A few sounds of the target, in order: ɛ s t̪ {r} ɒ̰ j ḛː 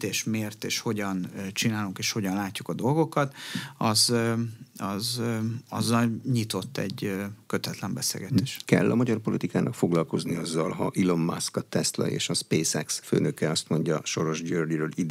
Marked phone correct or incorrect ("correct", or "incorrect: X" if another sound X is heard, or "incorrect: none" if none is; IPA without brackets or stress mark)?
incorrect: l